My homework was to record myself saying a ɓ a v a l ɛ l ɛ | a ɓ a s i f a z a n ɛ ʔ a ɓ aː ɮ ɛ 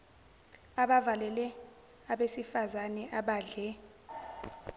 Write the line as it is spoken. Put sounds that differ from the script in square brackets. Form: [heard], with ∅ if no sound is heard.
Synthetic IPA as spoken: a ɓ a v a l ɛ l ɛ | a ɓ [e] s i f a z a n ɛ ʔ a ɓ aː ɮ ɛ